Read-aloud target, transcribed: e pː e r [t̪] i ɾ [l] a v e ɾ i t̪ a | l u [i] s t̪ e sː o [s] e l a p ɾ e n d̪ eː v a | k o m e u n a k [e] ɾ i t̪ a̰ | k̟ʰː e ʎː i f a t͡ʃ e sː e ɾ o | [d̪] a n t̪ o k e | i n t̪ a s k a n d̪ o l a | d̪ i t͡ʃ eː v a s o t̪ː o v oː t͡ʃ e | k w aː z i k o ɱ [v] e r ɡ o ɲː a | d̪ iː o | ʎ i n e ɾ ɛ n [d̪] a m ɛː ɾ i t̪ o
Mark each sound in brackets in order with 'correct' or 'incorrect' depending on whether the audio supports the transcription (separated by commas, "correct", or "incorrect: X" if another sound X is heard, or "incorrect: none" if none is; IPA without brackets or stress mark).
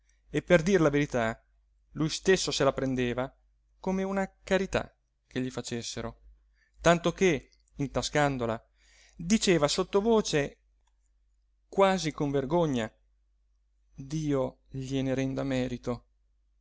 incorrect: d̪, correct, incorrect: j, correct, incorrect: a, incorrect: t̪, correct, correct